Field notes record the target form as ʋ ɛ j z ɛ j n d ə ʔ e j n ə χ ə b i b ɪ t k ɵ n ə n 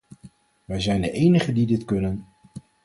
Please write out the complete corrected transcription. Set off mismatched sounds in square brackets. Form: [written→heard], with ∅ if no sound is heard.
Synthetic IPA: ʋ ɛ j z ɛ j n d ə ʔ e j n ə χ ə [b→d] i [b→d] ɪ t k ɵ n ə n

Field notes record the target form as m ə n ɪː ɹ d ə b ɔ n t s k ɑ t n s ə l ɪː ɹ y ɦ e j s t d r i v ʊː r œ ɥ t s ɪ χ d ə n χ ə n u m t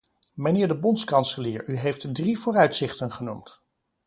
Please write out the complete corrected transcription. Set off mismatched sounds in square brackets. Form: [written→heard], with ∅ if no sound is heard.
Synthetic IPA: m ə n ɪː ɹ d ə b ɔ n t s k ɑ [t→∅] n s ə l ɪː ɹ y ɦ e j [s→f] t d r i v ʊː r œ ɥ t s ɪ χ [d→t] ə n χ ə n u m t

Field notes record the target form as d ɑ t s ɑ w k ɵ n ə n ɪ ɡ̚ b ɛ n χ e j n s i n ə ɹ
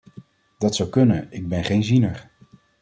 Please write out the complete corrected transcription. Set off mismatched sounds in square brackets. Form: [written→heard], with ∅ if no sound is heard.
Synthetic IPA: d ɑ t s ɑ w k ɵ n ə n ɪ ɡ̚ b ɛ n χ e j n [s→z] i n ə ɹ

